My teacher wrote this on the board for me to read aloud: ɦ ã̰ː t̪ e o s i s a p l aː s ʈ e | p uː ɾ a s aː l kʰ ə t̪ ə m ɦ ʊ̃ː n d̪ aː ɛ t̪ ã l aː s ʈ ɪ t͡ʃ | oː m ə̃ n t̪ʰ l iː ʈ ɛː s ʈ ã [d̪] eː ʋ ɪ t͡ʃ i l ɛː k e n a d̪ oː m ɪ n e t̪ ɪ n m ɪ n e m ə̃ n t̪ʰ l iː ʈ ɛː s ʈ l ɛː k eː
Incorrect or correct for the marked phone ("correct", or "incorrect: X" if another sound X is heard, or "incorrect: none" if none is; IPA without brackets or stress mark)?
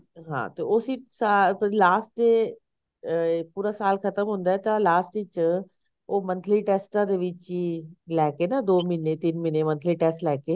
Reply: correct